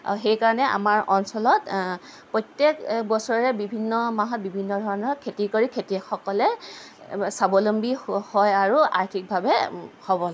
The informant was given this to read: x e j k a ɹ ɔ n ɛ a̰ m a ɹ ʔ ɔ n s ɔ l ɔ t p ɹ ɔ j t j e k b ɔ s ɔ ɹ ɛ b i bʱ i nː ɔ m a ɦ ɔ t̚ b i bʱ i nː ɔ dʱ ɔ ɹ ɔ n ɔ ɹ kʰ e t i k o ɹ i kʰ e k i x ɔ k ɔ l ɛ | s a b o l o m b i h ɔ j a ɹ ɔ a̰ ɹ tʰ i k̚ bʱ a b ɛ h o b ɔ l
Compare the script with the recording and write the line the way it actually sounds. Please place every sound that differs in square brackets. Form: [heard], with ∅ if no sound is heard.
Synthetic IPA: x e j k a ɹ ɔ n ɛ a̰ m a ɹ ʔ ɔ n s ɔ l ɔ t p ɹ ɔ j t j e k b ɔ s ɔ ɹ ɛ b i bʱ i nː ɔ m a ɦ ɔ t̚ b i bʱ i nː ɔ dʱ ɔ ɹ ɔ n ɔ ɹ kʰ e t i k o ɹ i kʰ e [t] i x ɔ k ɔ l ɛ | s a b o l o m b i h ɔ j a ɹ [u] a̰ ɹ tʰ i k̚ bʱ a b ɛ h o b ɔ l